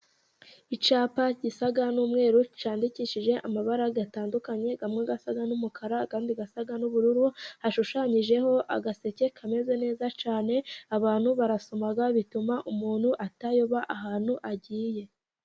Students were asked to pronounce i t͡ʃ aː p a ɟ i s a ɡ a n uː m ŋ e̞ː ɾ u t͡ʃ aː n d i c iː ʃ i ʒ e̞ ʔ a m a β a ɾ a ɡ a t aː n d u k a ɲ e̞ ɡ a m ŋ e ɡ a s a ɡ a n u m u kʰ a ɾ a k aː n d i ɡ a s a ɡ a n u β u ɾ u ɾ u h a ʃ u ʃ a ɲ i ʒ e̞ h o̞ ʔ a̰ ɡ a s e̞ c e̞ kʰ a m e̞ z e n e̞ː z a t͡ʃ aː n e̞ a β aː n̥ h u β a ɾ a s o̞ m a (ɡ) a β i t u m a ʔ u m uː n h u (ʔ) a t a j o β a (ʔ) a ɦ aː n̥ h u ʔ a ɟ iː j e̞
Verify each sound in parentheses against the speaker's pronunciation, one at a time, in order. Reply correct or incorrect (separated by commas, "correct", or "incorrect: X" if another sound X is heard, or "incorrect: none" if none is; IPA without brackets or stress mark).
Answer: correct, correct, correct